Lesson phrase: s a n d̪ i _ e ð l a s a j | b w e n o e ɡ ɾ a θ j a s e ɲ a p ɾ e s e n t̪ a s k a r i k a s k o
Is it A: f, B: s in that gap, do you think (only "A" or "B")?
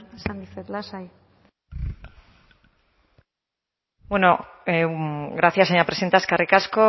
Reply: A